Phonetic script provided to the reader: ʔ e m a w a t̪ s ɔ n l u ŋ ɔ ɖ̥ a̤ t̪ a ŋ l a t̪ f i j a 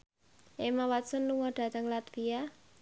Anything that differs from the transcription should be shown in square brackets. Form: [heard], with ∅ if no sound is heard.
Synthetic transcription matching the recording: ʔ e m a w a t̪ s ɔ n l u ŋ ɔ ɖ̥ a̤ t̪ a ŋ l a t̪ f i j a